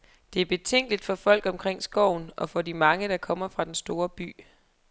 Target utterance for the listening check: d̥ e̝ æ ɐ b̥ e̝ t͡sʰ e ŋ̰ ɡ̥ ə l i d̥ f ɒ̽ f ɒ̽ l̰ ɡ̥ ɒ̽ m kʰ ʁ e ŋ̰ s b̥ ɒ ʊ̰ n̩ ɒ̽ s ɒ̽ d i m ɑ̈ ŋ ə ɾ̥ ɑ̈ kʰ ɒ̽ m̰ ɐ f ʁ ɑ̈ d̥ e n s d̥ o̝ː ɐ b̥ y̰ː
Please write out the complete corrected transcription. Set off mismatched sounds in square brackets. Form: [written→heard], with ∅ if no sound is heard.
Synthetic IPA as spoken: d̥ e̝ æ ɐ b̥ e̝ t͡sʰ e ŋ̰ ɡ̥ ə l i d̥ f ɒ̽ f ɒ̽ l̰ ɡ̥ ɒ̽ m kʰ ʁ e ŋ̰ s [b̥→ɡ̥] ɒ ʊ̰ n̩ ɒ̽ [s→f] ɒ̽ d i m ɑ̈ ŋ ə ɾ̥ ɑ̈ kʰ ɒ̽ m̰ ɐ f ʁ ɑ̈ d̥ e n s d̥ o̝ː ɐ b̥ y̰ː